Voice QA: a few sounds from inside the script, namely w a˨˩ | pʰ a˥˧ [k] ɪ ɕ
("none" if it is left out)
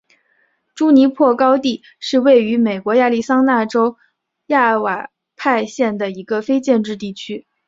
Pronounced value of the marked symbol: none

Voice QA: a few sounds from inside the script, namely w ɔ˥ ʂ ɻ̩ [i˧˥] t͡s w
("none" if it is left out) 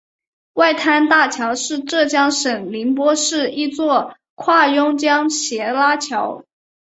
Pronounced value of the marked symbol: i˥˧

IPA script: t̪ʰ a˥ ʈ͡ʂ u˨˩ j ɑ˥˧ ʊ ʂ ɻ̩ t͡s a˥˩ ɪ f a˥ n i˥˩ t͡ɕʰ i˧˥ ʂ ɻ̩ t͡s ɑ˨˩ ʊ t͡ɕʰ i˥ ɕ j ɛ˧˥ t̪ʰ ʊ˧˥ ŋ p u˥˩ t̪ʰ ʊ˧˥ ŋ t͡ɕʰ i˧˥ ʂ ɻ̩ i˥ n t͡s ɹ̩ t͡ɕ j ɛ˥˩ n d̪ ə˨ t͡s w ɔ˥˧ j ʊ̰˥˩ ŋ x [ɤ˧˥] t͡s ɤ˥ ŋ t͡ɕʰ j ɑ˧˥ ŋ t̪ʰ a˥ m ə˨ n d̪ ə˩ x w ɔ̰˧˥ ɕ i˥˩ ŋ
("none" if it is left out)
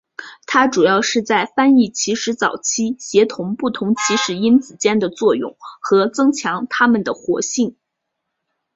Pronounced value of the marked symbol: ɤ˧˥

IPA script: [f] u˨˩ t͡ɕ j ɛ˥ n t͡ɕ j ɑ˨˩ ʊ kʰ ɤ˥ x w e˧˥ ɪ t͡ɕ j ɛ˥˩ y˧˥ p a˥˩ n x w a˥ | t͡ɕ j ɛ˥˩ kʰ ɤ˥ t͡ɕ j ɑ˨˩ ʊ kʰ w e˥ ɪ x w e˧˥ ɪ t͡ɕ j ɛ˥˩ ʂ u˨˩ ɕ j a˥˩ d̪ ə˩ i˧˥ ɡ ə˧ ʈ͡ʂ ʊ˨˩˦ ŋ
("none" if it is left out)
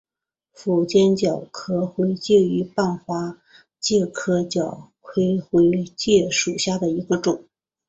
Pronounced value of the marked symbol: f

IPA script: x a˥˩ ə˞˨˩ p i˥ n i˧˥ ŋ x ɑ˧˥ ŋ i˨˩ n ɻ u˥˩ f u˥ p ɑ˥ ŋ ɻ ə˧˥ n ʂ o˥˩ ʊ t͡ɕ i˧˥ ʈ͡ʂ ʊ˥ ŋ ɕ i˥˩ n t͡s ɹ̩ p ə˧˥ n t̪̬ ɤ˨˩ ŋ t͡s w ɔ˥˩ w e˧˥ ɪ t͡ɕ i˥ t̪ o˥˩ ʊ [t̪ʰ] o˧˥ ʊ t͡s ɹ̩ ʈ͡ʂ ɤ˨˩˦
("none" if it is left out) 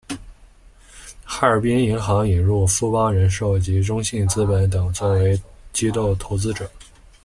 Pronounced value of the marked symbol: t̪ʰ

